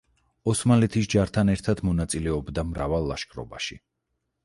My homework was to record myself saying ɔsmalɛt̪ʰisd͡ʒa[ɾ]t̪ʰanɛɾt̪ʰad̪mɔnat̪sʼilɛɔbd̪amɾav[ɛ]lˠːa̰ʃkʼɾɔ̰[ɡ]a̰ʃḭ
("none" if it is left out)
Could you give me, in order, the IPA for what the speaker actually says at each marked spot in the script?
ɾ, a, b

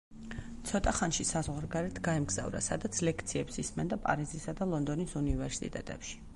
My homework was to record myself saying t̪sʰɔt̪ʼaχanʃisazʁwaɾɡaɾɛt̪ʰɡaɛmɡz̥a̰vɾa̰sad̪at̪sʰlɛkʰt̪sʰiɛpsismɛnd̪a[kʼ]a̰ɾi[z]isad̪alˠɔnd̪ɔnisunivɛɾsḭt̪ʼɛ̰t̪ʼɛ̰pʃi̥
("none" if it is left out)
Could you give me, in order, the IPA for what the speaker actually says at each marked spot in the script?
pʼ, z

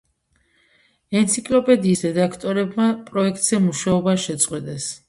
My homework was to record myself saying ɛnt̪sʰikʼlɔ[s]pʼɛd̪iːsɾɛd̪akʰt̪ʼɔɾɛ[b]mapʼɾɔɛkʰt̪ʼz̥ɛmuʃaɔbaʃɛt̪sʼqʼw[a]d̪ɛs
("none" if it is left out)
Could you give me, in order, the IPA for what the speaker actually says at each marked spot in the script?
none, b, ɛ

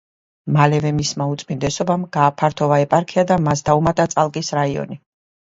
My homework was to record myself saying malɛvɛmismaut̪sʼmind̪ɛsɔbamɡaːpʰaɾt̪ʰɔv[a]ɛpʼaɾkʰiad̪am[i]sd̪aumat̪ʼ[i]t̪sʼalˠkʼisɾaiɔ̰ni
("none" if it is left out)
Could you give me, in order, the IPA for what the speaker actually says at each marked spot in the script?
a, a, a

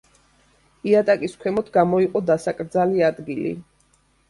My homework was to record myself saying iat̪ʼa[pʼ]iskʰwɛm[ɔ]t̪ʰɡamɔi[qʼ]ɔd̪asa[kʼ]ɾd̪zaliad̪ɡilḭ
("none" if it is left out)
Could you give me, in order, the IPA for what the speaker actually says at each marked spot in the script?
kʼ, ɔ, qʼ, kʼ

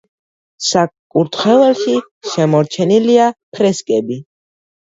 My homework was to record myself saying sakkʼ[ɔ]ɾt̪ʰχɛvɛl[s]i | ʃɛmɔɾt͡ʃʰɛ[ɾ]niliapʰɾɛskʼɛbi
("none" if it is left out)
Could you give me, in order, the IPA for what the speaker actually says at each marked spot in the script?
u, ʃ, none

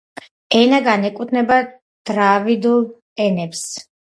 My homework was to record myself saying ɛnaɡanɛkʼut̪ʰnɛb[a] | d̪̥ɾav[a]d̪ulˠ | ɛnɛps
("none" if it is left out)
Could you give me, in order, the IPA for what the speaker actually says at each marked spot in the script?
a, i

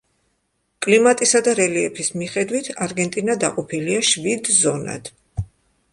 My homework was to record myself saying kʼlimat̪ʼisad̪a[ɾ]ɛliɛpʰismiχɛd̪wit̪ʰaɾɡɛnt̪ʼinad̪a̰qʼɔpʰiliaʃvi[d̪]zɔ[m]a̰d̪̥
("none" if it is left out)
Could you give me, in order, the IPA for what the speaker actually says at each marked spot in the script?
ɾ, d̪, n

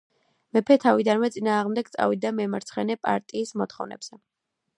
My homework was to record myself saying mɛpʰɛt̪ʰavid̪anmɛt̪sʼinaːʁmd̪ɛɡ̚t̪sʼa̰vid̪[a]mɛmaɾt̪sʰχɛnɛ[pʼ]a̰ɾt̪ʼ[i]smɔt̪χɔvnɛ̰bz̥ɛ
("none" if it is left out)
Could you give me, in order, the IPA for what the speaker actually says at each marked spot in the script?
a, pʼ, iː

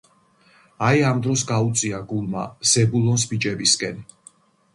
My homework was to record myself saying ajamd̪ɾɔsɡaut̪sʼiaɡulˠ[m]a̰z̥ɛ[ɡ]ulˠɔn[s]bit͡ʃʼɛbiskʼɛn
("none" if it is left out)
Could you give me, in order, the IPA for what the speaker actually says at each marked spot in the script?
m, b, s

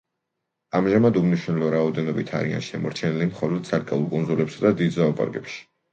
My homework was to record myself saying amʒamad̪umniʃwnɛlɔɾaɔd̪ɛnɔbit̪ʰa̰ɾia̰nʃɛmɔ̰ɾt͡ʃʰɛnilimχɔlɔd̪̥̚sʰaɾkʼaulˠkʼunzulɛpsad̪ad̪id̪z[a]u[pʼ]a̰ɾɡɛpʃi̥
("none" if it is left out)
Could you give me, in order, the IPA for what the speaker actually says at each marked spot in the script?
a, pʼ

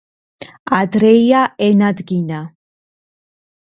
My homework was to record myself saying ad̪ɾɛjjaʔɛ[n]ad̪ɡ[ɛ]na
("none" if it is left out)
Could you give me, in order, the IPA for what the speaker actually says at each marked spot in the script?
n, i

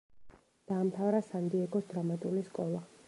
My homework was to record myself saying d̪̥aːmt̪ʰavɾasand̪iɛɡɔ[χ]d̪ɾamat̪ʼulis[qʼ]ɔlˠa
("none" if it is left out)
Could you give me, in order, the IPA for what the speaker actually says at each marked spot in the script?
s, kʼ

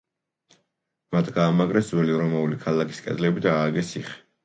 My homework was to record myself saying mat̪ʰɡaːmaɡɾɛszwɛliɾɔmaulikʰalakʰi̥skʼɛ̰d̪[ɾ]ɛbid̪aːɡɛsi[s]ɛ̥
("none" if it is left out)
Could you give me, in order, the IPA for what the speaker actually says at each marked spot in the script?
l, χ

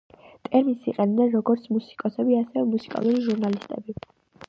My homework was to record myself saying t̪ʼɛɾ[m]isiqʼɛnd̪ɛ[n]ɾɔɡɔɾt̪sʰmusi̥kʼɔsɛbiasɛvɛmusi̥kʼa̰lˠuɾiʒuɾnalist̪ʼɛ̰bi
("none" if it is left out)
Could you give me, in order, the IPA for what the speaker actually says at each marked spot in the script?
m, n

